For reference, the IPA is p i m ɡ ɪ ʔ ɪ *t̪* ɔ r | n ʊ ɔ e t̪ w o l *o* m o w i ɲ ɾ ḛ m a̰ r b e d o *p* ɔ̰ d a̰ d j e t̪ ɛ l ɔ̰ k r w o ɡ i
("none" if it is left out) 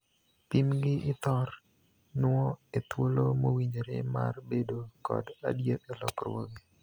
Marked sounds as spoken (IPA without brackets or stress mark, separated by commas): t̪, o, k